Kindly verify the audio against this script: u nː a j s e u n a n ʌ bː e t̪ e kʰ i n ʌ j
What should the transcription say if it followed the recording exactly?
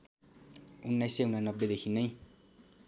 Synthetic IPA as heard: u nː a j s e u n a n ʌ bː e d̪ e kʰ i n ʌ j